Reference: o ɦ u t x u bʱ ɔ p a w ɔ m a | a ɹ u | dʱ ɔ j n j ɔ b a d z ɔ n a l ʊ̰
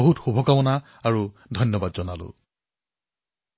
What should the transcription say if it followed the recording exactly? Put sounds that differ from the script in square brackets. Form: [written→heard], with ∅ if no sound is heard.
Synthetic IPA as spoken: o ɦ u t x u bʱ ɔ [p→k] a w ɔ [m→n] a | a ɹ u | dʱ ɔ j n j ɔ b a d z ɔ n a l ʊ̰